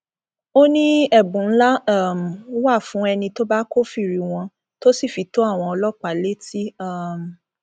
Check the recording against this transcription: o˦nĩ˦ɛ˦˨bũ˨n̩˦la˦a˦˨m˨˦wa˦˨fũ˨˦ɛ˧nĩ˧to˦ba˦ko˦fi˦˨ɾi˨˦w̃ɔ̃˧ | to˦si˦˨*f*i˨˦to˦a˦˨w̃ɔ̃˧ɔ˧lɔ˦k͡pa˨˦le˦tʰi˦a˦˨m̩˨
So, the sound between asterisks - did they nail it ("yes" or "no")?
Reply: yes